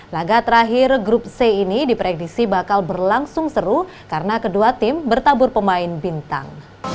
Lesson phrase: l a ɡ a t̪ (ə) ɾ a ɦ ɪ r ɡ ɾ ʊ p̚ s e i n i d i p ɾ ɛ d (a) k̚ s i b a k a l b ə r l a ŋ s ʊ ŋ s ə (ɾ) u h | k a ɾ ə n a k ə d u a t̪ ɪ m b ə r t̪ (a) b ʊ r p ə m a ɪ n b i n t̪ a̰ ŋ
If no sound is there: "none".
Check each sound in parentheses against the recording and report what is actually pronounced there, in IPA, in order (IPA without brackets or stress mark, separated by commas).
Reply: ə, i, ɾ, a